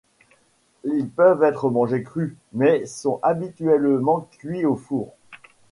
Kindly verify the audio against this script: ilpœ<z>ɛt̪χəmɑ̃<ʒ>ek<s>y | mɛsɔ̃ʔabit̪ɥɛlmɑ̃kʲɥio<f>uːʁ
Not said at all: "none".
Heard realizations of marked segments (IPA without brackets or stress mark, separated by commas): v, ʒ, χ, f